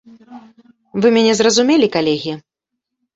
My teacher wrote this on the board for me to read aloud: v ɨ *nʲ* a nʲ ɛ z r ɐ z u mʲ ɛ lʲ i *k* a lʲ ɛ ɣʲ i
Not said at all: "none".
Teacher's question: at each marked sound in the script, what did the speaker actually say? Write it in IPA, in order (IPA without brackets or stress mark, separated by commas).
mʲ, k